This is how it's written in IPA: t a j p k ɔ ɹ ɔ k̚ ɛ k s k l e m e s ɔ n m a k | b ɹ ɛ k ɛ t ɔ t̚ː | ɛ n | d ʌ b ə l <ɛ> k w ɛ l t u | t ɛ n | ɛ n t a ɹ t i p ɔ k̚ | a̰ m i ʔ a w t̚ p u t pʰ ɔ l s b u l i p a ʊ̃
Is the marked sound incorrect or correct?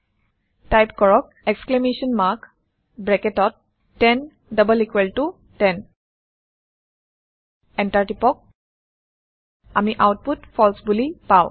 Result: incorrect